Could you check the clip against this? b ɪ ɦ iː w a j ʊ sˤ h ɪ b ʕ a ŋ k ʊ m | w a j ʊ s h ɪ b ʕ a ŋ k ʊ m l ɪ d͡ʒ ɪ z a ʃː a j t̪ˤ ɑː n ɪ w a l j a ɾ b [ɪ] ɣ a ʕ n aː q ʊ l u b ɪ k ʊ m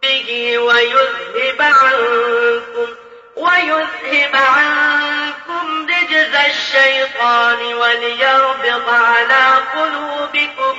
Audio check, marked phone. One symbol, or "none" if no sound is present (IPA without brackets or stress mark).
ɪ